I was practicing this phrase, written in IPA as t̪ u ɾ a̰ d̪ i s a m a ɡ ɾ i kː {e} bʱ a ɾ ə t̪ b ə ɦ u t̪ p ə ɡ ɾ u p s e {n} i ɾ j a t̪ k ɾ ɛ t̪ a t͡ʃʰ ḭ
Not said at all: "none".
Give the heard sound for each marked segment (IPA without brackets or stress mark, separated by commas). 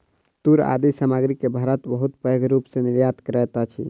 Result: e, n